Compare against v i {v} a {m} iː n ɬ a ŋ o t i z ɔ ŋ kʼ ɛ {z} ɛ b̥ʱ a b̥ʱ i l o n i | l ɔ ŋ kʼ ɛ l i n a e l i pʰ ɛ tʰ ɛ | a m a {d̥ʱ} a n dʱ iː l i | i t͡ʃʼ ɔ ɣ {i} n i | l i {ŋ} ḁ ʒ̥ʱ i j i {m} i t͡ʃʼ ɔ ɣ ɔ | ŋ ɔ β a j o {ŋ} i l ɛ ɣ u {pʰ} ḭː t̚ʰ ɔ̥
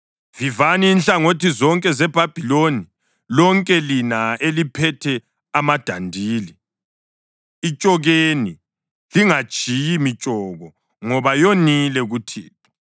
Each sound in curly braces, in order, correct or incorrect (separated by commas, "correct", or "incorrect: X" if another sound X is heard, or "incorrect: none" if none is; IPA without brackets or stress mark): correct, incorrect: n, correct, correct, incorrect: e, correct, correct, incorrect: n, incorrect: tʰ